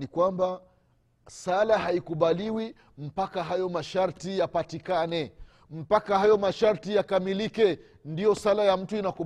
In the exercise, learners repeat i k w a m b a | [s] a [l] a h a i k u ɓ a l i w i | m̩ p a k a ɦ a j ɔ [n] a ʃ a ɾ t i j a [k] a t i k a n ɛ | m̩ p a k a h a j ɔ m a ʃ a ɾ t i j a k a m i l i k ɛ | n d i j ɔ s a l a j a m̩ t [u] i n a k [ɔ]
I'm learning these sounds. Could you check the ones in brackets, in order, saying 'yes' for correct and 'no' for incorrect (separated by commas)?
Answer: yes, yes, no, no, yes, no